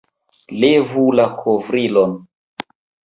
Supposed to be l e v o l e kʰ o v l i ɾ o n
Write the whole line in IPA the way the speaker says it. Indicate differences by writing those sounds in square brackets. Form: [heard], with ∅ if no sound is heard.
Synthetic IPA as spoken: l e v [u] l [a] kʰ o v [ɾ] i [l] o n